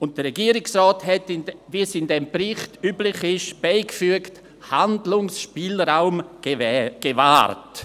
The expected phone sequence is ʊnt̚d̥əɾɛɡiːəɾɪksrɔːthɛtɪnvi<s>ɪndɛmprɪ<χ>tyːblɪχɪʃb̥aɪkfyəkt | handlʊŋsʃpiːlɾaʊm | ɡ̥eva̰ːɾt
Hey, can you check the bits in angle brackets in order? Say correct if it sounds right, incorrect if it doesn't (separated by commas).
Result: correct, correct